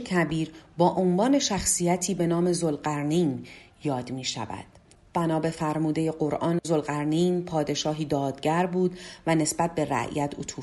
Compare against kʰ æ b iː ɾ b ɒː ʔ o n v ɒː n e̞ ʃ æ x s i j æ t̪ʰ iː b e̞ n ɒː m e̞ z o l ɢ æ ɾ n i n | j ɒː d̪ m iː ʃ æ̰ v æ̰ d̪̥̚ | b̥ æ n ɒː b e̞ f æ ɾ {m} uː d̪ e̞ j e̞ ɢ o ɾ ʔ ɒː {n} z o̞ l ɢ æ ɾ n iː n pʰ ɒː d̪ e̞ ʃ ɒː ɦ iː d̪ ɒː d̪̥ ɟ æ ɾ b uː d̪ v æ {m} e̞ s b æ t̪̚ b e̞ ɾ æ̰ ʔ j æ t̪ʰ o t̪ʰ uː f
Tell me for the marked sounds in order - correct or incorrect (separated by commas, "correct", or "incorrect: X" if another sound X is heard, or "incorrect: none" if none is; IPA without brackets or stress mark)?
correct, correct, incorrect: n